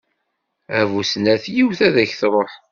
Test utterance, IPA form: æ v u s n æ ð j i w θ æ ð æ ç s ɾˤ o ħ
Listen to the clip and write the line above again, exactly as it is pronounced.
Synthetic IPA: æ v u s n æ θ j i w θ æ ð æ ç θ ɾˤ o ħ